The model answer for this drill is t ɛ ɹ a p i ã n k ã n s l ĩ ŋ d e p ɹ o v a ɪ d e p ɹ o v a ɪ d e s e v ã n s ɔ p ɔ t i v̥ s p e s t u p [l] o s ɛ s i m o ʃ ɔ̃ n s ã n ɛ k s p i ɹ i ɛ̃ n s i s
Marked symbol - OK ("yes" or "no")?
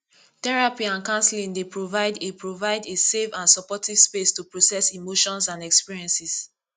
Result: no